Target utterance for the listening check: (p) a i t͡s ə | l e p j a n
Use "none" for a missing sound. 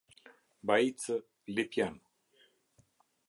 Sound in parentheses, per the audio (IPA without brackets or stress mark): b